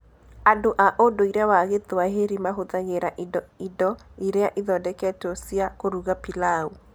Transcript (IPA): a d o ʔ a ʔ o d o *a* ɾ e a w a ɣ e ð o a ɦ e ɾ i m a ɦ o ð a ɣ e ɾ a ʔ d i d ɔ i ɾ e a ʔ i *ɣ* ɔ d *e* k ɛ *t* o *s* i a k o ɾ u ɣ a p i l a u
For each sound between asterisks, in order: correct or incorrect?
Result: incorrect, incorrect, incorrect, correct, correct

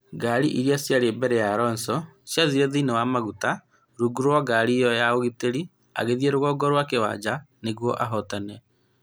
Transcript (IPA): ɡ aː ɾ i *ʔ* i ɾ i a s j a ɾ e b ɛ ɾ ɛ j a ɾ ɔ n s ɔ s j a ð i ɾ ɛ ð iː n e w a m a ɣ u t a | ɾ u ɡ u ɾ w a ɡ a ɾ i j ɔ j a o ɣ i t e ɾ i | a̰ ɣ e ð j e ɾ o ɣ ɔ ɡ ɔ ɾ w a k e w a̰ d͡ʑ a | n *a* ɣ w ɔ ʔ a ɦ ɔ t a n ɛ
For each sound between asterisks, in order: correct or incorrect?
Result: correct, incorrect

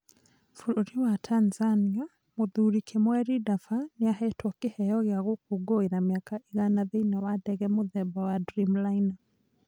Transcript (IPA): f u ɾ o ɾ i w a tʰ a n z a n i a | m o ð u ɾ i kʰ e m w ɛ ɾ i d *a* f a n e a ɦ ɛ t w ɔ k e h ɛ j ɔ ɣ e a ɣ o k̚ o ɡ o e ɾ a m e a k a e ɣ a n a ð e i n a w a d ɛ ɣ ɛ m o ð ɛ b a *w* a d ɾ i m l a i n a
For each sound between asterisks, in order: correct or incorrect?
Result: correct, correct

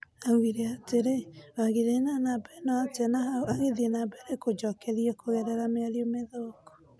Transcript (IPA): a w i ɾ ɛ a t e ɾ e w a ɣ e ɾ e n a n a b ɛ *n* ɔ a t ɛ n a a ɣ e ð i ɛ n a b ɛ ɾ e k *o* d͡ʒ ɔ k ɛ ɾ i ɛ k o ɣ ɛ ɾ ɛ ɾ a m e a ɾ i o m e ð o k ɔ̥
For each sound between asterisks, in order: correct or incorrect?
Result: correct, correct

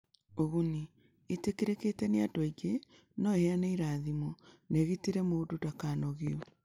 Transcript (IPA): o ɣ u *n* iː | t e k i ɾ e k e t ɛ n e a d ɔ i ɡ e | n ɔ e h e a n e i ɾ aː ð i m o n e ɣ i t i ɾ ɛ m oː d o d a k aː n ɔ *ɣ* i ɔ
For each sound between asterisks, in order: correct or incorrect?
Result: correct, correct

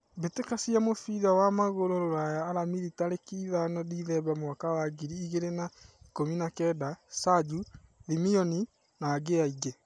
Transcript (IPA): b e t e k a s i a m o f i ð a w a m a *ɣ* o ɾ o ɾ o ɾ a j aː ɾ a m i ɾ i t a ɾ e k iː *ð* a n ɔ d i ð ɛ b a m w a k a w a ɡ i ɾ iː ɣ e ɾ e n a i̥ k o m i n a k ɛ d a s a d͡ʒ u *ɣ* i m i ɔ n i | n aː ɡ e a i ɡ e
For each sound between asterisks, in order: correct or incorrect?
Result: correct, correct, incorrect

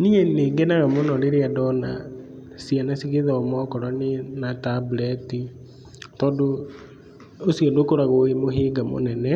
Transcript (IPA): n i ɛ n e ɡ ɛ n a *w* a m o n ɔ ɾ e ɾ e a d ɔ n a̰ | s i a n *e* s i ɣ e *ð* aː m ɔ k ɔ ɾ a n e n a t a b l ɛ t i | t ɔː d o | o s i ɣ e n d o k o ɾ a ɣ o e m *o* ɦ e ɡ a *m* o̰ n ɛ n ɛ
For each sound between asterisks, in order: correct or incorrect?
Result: incorrect, incorrect, correct, correct, correct

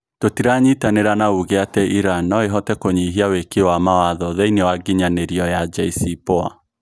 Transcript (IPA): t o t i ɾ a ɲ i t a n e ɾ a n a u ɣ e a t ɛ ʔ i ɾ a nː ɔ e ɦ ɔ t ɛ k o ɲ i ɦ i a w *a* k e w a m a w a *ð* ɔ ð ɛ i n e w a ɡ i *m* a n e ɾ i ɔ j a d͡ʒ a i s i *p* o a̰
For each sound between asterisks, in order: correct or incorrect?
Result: incorrect, correct, incorrect, correct

